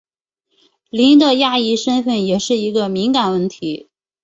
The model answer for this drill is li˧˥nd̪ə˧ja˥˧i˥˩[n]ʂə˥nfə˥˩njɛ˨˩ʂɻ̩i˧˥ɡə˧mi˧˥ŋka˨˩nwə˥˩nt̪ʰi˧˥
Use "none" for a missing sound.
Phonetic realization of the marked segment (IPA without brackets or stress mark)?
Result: none